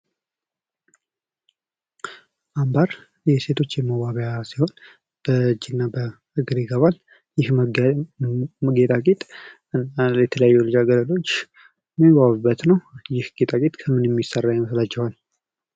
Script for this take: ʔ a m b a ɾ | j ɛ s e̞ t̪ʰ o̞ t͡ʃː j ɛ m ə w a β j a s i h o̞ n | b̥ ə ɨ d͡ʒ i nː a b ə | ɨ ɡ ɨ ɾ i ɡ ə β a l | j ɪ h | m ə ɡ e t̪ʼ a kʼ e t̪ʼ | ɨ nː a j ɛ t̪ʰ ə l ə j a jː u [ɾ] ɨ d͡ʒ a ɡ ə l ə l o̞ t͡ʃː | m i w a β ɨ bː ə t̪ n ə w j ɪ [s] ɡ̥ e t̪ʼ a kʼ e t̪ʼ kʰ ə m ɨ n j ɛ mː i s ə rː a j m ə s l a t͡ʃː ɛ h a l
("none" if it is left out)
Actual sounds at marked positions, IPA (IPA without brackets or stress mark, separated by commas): l, h